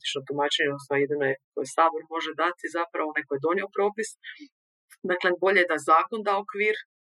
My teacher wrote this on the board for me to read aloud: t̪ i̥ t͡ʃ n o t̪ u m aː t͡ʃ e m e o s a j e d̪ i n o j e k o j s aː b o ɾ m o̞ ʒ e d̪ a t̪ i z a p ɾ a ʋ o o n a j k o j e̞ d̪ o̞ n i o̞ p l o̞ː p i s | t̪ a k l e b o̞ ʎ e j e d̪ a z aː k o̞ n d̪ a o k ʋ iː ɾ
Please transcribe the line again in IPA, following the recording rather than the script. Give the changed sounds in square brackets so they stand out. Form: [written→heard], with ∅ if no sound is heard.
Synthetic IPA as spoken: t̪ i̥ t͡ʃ n o t̪ u m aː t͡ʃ e [m→ɲ] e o s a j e d̪ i n o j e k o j s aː b o ɾ m o̞ ʒ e d̪ a t̪ i z a p ɾ a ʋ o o n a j k o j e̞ d̪ o̞ n i o̞ p [l→ɾ] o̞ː p i s | [t̪→d̪] a k l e b o̞ ʎ e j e d̪ a z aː k o̞ n d̪ a o k ʋ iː ɾ